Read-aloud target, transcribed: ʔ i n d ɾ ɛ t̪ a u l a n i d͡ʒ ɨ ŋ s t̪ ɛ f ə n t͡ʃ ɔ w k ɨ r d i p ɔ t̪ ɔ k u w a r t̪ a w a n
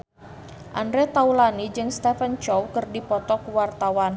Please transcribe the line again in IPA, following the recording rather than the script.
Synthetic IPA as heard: ʔ a n d ɾ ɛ t̪ a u l a n i d͡ʒ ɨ ŋ s t̪ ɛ f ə n t͡ʃ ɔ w k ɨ r d i p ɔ t̪ ɔ k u w a r t̪ a w a n